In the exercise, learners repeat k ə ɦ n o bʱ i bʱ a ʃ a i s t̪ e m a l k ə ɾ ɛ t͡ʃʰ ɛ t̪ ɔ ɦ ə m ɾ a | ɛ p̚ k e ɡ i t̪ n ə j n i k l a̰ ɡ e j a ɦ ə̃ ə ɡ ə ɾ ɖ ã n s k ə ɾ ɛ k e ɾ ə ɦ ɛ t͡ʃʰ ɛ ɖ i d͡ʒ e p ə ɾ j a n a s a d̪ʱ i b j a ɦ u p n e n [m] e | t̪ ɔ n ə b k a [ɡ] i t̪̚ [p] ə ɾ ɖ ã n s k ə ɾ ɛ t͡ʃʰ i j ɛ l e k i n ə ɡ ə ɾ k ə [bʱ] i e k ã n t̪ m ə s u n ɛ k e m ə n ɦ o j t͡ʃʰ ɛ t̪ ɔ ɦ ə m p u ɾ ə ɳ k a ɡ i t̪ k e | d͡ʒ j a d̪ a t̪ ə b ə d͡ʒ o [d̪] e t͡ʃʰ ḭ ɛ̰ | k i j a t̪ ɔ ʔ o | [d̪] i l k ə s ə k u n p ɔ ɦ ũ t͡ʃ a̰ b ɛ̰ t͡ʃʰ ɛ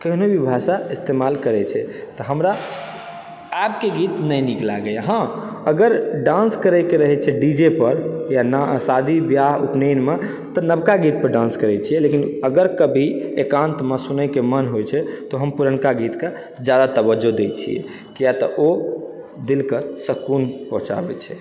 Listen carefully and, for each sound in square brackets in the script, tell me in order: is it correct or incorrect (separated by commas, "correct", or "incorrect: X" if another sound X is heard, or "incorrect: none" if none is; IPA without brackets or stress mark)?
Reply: correct, correct, correct, correct, correct, correct